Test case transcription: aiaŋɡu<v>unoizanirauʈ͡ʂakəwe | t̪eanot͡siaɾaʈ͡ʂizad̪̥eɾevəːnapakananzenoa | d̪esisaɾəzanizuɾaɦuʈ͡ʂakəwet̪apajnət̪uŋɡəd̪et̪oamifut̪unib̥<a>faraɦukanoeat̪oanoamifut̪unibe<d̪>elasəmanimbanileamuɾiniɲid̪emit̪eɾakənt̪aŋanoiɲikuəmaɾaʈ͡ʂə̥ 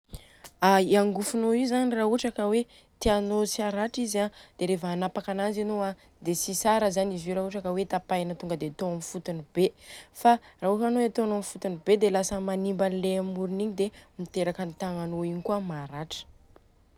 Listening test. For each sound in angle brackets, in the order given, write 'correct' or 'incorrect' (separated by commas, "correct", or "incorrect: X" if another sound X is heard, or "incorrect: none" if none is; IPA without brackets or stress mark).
incorrect: f, incorrect: e, correct